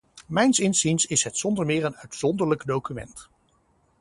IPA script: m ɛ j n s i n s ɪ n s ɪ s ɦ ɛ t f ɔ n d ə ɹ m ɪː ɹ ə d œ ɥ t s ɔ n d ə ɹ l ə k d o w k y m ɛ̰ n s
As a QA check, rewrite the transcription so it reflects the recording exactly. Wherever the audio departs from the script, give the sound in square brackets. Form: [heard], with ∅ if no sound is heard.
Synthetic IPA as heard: m ɛ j n s [ɪ] n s [i] n s ɪ s ɦ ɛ t [s] ɔ n d ə ɹ m ɪː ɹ ə [n] œ ɥ t s ɔ n d ə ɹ l ə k d o w k y m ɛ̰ n [t]